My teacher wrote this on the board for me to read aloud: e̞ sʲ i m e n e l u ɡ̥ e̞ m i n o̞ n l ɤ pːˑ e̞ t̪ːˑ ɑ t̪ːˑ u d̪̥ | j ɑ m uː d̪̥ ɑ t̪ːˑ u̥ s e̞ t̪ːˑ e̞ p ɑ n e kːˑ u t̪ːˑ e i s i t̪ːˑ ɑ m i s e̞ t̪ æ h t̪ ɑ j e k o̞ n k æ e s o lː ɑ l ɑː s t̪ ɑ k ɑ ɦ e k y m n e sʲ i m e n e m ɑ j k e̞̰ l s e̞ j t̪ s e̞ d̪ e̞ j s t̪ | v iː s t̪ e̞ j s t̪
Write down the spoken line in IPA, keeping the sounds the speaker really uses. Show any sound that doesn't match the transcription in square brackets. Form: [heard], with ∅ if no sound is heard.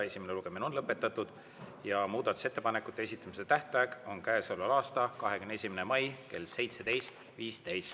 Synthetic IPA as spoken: e̞ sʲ i m e n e l u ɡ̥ e̞ m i n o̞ n l ɤ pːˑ e̞ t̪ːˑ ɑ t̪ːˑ u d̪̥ | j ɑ m uː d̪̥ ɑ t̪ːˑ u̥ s e̞ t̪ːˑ e̞ p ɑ n e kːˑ u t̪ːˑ e [e] s i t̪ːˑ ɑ m i s e̞ t̪ æ h t̪ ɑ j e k o̞ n k æ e s o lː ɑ l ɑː s t̪ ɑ k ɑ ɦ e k y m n e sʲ i m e n e m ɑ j k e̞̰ l s e̞ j t̪ s e̞ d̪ e̞ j s t̪ | v iː s t̪ e̞ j s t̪